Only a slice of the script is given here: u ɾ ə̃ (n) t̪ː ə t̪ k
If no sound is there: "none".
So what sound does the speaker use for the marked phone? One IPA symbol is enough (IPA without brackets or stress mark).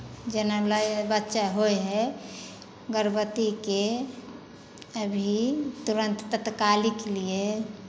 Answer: n